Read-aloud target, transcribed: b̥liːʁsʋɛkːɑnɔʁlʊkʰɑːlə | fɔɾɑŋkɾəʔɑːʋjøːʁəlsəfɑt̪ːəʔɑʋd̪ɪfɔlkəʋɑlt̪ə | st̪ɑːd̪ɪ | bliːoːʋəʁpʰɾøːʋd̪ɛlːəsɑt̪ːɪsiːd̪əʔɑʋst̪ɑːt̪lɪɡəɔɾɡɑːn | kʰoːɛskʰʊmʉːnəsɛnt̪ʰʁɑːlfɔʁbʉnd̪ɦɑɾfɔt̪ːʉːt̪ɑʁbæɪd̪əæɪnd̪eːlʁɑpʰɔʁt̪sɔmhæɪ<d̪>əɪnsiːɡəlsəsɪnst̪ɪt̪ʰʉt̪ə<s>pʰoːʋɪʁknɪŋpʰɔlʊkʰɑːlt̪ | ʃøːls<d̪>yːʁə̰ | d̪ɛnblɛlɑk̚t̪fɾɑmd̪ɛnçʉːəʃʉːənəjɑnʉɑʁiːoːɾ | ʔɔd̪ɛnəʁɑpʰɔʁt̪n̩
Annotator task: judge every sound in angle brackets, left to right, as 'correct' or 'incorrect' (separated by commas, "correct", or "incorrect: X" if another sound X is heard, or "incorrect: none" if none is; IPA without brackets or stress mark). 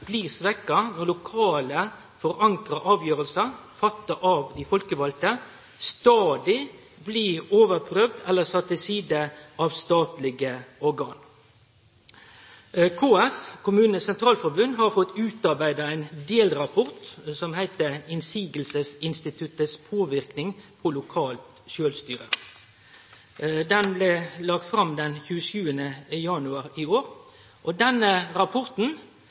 incorrect: t̪, correct, incorrect: t̪